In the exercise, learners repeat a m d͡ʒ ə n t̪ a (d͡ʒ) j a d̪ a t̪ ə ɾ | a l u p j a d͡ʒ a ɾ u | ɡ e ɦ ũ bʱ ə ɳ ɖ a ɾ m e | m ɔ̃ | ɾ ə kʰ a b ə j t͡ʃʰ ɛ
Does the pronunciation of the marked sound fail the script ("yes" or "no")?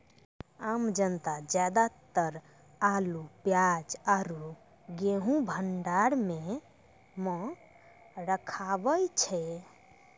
no